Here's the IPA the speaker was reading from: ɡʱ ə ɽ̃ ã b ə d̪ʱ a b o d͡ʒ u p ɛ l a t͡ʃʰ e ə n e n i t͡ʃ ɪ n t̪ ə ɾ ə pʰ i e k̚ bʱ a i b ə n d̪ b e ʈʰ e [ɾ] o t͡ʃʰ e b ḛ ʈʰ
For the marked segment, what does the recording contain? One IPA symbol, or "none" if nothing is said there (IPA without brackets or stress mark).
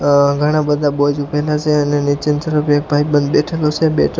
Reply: l